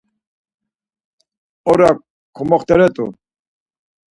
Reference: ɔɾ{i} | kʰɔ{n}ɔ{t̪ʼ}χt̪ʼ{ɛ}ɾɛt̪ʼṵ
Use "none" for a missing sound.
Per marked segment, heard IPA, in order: a, m, none, ɛ

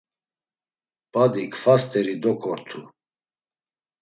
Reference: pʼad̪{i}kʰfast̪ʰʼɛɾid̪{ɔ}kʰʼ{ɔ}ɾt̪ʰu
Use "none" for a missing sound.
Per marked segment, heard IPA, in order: i, ɔ, ɔ

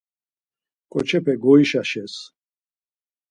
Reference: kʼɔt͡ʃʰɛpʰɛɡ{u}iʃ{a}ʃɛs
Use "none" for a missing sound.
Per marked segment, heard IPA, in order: ɔ, a

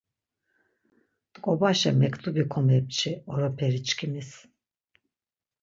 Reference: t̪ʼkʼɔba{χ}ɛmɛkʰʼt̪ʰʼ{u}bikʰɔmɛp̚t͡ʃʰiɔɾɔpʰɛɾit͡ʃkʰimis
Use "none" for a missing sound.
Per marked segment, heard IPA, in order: ʃ, u

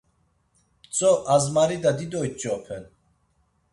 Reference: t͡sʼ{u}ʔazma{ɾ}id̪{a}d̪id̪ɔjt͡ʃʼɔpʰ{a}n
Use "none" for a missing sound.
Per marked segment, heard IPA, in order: ɔ, ɾ, a, ɛ

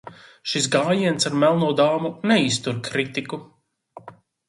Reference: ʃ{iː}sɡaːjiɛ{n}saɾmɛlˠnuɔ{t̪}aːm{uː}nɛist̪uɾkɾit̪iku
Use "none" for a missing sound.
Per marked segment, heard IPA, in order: i, n, d̪, u

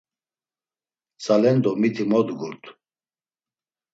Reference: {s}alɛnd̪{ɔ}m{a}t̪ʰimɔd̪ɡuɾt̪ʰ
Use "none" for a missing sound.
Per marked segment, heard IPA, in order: s, ɔ, i

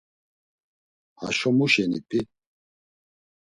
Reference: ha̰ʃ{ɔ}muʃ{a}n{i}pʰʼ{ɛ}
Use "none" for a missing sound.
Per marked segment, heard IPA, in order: ɔ, ɛ, i, i

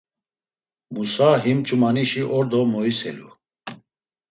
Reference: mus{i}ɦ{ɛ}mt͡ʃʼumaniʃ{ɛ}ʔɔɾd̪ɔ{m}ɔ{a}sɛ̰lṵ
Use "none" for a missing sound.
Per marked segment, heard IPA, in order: a, i, i, m, i

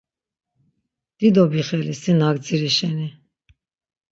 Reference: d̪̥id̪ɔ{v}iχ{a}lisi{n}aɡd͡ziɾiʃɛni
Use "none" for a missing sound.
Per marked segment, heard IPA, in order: b, ɛ, n

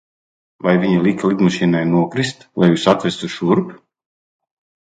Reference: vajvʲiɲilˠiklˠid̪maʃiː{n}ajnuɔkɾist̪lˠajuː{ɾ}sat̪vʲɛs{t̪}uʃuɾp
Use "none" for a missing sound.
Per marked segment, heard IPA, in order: n, none, t̪

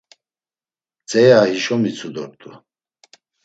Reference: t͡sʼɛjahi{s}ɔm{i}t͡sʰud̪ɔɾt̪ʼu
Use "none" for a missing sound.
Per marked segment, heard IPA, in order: ʃ, i

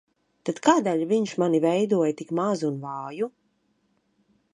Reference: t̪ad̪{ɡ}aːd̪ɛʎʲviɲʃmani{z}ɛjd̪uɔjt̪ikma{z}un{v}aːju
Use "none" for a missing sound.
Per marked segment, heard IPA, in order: k, v, z, v

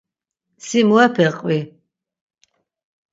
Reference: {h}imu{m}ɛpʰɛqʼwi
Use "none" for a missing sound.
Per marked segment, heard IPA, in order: s, none

